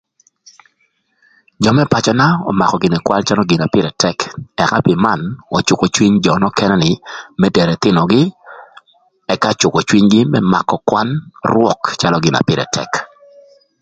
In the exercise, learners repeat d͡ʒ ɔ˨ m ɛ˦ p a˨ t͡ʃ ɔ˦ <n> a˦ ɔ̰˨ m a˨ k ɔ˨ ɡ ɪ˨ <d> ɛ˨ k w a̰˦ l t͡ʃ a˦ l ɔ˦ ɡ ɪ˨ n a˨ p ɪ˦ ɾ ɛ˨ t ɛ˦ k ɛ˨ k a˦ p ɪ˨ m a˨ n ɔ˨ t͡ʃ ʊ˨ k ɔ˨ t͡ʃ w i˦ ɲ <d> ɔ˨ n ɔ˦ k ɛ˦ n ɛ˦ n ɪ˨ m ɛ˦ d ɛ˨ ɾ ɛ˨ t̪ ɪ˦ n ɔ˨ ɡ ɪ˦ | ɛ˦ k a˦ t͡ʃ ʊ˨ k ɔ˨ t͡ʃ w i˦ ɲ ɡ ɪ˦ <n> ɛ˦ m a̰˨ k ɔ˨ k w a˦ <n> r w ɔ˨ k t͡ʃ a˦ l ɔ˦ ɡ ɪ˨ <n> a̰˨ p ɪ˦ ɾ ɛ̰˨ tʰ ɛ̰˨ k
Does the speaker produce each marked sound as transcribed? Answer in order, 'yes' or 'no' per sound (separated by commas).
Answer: yes, no, no, no, yes, yes